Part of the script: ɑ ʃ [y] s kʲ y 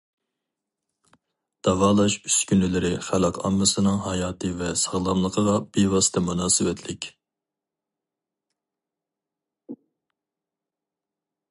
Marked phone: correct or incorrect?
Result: correct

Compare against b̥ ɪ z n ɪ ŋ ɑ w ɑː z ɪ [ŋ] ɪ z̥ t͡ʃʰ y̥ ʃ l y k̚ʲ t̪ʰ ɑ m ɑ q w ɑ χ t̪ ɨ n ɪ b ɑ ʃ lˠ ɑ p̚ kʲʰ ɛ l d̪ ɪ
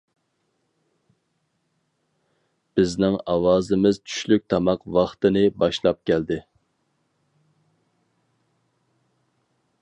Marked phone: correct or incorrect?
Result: incorrect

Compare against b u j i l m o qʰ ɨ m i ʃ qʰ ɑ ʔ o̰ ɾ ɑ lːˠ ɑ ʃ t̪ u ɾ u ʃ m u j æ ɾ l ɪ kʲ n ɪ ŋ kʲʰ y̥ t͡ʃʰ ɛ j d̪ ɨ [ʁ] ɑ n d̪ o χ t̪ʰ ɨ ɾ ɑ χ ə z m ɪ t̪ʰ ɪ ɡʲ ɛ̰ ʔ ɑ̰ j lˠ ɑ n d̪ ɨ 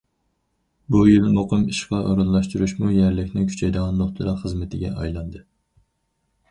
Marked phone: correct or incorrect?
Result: correct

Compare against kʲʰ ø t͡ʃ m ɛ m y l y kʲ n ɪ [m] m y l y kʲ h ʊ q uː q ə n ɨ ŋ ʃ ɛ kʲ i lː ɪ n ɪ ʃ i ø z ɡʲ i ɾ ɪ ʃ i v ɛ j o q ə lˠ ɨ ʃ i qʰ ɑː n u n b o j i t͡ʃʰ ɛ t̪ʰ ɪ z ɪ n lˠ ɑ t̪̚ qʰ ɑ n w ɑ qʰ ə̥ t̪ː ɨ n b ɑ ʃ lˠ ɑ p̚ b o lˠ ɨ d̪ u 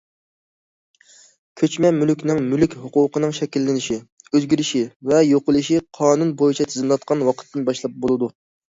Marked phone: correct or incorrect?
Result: incorrect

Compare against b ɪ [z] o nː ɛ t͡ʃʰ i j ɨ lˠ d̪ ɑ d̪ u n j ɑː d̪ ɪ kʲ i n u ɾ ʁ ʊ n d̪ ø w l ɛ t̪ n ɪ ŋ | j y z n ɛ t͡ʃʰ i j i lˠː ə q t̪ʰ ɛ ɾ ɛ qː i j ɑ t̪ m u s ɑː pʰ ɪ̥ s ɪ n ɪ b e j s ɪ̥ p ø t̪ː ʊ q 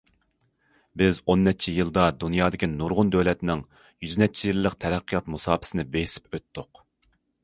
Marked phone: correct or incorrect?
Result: correct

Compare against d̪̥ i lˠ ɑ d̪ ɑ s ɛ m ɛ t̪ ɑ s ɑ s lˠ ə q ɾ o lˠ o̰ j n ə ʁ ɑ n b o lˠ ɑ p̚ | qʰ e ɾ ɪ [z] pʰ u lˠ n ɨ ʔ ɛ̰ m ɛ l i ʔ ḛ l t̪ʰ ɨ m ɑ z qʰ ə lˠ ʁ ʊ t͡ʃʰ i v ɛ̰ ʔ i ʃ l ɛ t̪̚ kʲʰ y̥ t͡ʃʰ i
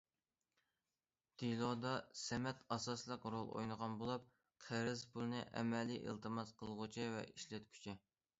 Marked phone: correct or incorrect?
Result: correct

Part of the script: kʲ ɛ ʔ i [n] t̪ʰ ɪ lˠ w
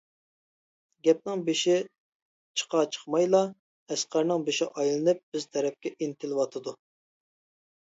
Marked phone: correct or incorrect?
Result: correct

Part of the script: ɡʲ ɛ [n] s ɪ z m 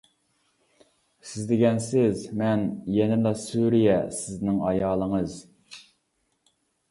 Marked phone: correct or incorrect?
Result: correct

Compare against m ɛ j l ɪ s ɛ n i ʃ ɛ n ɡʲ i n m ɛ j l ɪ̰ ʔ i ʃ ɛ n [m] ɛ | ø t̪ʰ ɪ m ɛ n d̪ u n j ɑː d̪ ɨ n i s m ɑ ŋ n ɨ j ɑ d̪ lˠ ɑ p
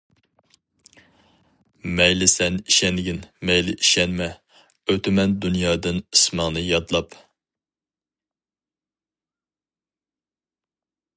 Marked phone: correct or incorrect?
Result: correct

